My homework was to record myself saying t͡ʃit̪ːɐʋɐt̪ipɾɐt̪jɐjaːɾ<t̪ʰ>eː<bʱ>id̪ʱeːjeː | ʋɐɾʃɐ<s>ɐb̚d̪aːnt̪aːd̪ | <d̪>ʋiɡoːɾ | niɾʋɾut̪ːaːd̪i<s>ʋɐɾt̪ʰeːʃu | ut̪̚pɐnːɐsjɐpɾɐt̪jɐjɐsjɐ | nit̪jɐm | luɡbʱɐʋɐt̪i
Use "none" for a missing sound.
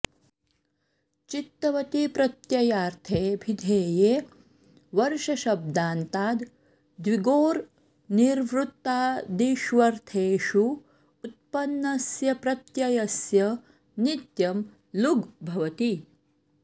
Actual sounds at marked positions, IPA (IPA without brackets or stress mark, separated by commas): t̪ʰ, bʱ, ʃ, d̪, ʃ